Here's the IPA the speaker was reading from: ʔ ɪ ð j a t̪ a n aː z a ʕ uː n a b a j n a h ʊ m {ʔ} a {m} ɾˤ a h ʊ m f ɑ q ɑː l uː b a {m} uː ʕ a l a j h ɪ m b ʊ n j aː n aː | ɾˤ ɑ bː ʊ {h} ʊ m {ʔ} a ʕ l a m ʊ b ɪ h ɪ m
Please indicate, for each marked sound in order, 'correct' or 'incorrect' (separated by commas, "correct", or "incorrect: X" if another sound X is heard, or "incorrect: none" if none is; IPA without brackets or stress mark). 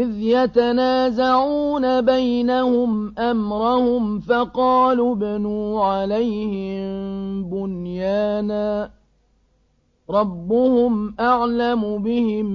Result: correct, correct, incorrect: n, correct, correct